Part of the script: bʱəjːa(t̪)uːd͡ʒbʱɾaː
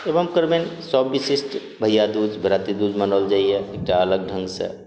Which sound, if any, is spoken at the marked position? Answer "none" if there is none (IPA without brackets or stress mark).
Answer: d̪